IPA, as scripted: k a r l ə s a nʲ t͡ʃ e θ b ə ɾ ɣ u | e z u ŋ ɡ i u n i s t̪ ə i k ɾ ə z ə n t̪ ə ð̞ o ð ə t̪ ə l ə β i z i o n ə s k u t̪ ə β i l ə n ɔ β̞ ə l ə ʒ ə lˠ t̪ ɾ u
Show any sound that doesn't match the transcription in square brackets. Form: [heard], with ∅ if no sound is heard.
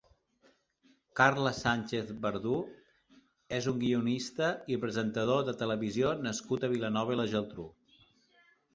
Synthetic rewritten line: k a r l ə s a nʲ t͡ʃ e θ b ə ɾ [ð] u | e z u ŋ ɡ i u n i s t̪ ə i [p] ɾ ə z ə n t̪ ə ð̞ o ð ə t̪ ə l ə β i z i o n ə s k u t̪ ə β i l ə n ɔ β̞ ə l ə ʒ ə lˠ t̪ ɾ u